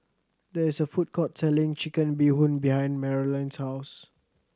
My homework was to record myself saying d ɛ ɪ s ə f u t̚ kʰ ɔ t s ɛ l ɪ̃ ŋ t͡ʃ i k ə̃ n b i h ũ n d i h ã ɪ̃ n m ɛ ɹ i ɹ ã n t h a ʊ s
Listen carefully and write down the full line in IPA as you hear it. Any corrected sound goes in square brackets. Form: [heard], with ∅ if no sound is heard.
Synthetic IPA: d ɛ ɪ s ə f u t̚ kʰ ɔ t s ɛ l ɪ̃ ŋ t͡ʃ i k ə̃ n b i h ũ n [b] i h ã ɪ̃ n m ɛ ɹ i [l] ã n [s] h a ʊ s